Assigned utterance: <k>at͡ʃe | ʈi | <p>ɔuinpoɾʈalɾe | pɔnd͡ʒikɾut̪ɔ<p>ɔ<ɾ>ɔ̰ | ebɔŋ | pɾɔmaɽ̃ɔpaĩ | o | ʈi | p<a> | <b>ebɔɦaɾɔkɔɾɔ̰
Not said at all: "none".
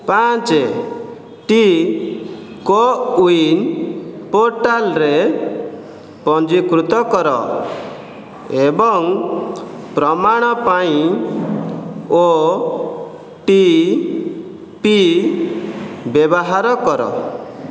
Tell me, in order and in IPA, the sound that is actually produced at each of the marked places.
p, k, k, ɾ, i, b

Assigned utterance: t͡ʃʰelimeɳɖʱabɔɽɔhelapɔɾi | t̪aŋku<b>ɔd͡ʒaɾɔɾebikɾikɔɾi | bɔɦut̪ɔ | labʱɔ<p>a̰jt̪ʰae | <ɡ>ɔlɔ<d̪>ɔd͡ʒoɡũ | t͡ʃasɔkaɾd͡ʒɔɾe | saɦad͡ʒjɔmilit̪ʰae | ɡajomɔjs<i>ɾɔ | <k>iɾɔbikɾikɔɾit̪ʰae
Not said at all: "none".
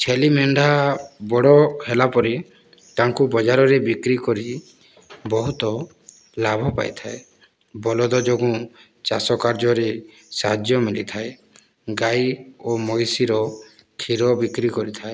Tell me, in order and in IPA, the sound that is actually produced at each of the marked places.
b, p, b, d̪, i, kʰ

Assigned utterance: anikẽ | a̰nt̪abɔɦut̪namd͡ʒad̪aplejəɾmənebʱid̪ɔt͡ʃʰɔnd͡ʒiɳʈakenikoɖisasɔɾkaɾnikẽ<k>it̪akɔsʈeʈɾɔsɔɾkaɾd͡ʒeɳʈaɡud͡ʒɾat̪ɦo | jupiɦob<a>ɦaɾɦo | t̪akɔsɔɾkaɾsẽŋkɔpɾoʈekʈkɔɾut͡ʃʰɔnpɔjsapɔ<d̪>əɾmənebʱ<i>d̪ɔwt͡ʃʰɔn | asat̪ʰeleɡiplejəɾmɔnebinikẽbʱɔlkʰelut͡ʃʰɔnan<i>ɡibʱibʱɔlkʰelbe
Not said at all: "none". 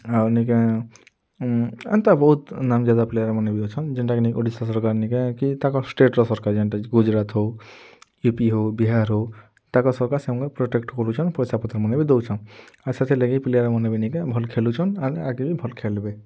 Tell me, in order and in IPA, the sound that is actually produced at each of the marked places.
k, i, t̪, i, a

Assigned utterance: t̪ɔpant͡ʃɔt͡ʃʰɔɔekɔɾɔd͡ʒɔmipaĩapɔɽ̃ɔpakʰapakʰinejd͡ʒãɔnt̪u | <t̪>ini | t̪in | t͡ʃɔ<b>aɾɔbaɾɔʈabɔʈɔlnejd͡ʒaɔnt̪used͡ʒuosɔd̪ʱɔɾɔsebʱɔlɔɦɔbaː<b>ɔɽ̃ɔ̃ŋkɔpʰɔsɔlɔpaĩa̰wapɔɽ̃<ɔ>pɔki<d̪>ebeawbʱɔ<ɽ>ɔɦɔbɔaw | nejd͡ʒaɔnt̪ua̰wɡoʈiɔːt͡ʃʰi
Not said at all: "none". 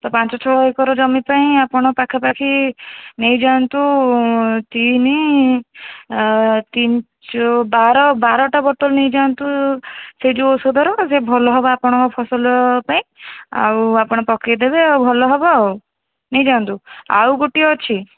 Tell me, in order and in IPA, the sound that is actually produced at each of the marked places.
t̪, b, p, ɔ, d̪, l

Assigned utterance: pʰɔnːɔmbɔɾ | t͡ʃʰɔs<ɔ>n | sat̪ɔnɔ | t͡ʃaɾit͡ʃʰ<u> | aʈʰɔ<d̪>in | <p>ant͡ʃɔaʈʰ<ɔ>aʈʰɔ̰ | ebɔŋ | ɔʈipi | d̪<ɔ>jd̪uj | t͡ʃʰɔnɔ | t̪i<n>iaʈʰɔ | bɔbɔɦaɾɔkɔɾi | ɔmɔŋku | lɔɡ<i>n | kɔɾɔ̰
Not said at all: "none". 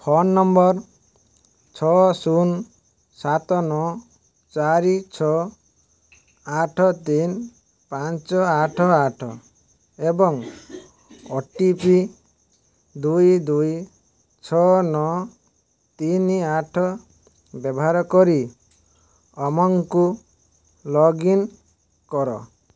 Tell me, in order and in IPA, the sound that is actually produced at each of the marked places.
u, ɔ, t̪, p, ɔ, u, n, i

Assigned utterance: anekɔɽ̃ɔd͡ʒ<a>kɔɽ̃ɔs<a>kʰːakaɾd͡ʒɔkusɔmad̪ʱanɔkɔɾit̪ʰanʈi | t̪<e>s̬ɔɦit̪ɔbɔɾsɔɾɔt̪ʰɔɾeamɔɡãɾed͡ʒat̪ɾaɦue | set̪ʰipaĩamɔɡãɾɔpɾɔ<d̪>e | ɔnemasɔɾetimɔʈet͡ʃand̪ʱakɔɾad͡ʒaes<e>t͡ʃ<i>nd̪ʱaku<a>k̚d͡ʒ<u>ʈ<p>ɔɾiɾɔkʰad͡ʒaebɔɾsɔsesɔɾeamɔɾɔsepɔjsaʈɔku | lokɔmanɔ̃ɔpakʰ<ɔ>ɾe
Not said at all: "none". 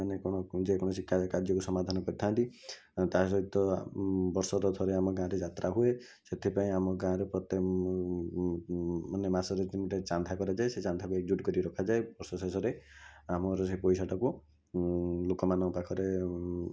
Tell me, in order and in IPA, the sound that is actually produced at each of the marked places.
e, i, a, t̪, e, a, e, u, k, ɔ

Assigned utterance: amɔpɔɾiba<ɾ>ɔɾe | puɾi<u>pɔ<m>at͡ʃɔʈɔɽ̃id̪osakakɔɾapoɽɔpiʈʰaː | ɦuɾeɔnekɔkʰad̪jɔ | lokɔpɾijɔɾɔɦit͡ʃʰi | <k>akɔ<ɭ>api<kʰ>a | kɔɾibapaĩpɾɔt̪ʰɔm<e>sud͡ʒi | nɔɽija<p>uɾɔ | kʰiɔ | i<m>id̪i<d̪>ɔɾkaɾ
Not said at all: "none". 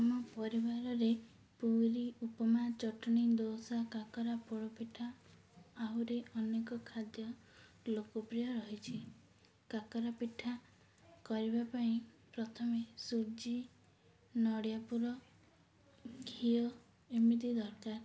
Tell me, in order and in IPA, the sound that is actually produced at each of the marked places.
ɾ, u, m, k, ɾ, ʈʰ, e, p, m, d̪

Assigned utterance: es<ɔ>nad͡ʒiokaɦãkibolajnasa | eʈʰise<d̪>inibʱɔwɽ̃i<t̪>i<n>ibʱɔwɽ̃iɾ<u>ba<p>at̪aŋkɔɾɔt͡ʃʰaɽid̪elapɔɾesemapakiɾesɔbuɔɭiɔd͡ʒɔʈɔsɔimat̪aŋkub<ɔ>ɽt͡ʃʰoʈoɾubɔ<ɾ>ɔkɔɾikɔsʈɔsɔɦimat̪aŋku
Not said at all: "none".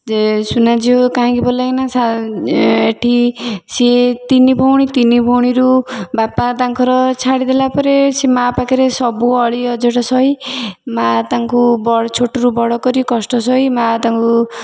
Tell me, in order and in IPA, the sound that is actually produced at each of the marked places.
u, t̪, t̪, n, u, p, ɔ, ɽ

